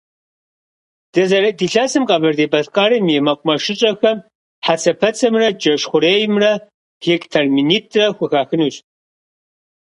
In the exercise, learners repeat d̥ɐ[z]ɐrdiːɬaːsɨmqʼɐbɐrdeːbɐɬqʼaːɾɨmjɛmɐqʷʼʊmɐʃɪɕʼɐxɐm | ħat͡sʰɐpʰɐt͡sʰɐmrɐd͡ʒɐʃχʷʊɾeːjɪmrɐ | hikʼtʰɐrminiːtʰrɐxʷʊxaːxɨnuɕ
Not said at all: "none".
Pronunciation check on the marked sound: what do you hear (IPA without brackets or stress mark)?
z